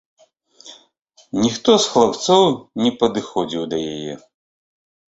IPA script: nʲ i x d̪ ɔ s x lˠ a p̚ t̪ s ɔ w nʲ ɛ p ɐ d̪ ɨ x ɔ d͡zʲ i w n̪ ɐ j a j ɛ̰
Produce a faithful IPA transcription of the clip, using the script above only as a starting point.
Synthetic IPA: nʲ i x t̪ ɔ s x lˠ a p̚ t̪ s ɔ w nʲ ɛ p ɐ d̪ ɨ x ɔ d͡zʲ i w d̪ ɐ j a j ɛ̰